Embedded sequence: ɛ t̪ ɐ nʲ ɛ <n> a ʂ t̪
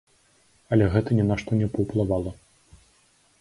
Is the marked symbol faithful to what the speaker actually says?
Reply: yes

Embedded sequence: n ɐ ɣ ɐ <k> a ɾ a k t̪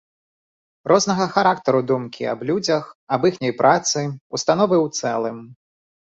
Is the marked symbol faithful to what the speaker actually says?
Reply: no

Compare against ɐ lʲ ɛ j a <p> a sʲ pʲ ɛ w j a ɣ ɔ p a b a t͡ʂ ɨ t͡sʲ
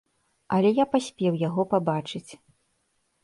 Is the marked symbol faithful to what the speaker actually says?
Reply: yes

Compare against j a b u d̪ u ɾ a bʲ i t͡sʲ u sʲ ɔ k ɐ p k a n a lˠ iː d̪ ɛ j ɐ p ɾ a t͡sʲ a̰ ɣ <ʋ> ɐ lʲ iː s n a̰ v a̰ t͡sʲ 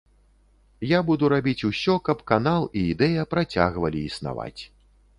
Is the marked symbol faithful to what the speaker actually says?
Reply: no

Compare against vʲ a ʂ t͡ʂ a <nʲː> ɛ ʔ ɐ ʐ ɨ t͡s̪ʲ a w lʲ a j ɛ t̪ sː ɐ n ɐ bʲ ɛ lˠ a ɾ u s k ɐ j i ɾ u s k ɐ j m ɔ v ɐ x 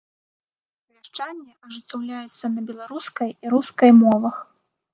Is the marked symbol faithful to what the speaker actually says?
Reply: yes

